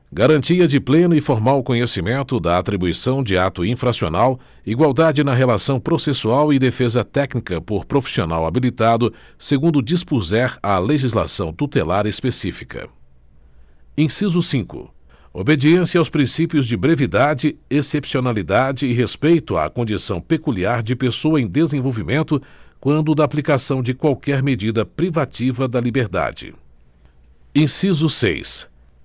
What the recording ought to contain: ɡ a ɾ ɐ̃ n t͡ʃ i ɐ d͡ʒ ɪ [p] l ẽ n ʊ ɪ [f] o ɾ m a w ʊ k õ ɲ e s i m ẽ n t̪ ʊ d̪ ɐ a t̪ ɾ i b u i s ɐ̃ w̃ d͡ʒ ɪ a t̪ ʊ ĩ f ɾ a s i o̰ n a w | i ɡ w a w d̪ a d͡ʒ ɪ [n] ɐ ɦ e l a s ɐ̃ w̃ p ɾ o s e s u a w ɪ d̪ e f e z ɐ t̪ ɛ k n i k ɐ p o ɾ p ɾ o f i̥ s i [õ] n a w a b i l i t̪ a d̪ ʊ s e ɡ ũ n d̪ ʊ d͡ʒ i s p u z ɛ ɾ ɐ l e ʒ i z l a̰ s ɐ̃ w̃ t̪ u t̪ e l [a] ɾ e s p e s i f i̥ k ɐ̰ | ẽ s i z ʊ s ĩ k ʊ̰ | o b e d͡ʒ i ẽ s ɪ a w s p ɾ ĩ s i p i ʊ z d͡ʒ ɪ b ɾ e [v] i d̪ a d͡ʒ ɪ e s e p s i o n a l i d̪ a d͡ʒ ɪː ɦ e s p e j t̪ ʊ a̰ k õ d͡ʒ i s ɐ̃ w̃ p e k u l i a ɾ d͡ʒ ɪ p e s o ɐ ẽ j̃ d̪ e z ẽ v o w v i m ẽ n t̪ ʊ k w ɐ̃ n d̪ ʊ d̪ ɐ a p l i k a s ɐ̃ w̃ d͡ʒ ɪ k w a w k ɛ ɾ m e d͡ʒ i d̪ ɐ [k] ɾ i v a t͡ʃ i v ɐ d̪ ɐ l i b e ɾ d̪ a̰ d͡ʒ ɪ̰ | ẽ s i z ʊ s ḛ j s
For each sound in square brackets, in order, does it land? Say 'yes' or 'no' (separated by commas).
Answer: yes, yes, yes, no, yes, yes, no